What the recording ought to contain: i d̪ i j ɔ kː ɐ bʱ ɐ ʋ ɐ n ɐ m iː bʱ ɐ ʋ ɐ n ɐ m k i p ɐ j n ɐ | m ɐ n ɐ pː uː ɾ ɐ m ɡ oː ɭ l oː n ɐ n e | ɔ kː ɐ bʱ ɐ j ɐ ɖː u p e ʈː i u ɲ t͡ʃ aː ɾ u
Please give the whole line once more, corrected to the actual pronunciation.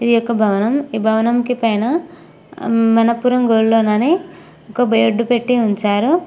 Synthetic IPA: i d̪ i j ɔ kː ɐ bʱ ɐ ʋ ɐ n ɐ m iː bʱ ɐ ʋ ɐ n ɐ m k i p ɐ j n ɐ | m ɐ n ɐ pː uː ɾ ɐ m ɡ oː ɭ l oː n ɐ n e | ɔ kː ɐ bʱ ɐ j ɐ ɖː u p e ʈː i u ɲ t͡ʃ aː ɾ u